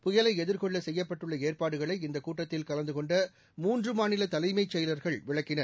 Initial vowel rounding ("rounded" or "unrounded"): rounded